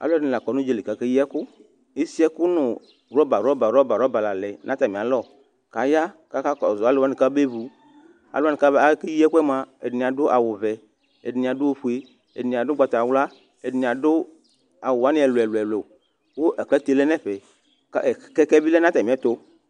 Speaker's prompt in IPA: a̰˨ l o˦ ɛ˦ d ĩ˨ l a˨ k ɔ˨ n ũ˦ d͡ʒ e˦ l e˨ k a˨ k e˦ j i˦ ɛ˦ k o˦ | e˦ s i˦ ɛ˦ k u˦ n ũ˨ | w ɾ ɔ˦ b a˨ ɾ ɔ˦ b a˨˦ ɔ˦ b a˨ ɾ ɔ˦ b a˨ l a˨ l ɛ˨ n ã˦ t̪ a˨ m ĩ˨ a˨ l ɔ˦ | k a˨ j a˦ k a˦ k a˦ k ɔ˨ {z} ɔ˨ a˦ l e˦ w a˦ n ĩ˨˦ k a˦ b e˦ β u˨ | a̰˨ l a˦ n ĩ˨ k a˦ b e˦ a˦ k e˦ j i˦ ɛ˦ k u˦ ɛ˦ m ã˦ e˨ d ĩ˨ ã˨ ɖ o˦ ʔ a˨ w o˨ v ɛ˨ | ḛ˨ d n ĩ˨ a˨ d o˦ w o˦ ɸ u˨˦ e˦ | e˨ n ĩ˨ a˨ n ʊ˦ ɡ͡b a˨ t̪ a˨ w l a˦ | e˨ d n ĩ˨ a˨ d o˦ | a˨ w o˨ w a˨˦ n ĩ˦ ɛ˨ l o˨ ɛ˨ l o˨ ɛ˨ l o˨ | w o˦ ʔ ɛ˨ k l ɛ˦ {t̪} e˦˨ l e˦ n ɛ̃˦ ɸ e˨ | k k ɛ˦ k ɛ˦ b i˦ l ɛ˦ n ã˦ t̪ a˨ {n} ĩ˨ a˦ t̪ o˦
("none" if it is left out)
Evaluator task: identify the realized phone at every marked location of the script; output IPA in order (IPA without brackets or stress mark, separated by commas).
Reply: z, t̪, m